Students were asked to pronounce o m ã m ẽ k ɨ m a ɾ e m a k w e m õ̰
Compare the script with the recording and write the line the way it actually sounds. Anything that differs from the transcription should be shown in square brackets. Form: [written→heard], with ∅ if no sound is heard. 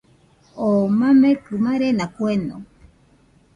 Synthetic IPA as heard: o m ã m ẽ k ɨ m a ɾ e [m→n] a k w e [m→n] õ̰